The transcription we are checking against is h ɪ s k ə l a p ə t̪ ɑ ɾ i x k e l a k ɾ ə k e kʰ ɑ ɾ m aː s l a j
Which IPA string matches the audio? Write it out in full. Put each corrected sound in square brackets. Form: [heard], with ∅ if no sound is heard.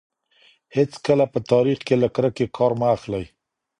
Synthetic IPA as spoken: h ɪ [t͡s] k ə l a p ə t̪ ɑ ɾ i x k e l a k ɾ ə k e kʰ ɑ ɾ m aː [x] l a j